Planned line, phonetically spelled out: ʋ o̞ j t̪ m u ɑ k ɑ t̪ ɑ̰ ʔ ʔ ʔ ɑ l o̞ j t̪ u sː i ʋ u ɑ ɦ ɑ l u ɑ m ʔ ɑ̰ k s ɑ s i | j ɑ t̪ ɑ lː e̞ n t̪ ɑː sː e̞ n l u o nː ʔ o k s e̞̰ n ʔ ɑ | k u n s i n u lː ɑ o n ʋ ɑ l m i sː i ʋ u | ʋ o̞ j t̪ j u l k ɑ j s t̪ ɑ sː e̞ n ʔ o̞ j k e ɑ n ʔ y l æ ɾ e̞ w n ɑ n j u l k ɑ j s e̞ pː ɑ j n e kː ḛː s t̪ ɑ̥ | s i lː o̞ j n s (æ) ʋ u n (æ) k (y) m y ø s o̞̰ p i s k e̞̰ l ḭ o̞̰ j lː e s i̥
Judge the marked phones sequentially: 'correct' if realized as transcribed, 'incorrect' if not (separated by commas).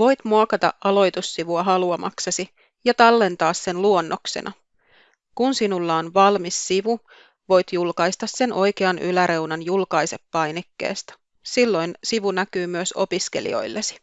incorrect, correct, incorrect